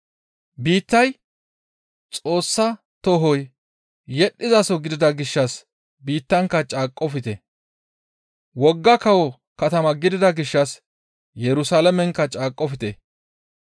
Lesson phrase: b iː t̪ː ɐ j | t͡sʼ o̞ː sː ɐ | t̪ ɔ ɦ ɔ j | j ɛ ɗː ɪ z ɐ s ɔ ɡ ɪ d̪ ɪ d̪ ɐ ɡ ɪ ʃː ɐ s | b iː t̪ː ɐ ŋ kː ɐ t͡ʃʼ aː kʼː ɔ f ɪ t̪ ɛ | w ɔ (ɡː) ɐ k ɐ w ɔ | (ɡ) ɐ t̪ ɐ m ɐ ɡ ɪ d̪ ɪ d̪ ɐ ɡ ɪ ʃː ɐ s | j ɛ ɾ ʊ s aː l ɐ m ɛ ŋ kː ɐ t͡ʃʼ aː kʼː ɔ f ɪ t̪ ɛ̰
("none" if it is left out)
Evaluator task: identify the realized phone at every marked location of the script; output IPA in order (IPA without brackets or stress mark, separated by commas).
ɡː, k